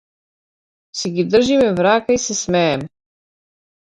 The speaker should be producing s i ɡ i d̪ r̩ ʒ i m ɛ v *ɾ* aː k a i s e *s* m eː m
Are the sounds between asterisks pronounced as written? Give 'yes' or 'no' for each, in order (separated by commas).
yes, yes